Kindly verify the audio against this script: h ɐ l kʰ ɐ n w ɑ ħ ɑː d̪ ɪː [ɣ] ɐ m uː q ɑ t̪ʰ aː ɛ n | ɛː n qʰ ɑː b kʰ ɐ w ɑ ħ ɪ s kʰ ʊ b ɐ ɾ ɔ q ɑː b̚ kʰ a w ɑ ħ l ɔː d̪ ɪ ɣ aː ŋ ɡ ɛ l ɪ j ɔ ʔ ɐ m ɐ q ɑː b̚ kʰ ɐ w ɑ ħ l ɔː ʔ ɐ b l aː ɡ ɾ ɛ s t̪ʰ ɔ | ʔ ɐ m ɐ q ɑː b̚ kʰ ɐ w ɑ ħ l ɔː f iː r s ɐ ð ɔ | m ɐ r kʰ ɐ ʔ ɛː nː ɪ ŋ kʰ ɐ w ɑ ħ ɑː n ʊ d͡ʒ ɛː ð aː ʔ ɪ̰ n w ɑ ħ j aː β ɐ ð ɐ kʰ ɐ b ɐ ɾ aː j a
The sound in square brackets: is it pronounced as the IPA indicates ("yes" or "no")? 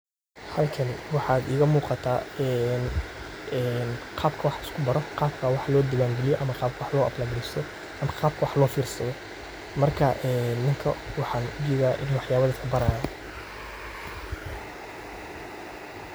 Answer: yes